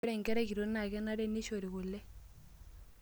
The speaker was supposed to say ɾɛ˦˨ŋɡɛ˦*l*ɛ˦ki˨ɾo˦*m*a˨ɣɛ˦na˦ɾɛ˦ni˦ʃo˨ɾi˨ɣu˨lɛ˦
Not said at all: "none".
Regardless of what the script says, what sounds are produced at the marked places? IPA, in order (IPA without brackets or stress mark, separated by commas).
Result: ɾ, n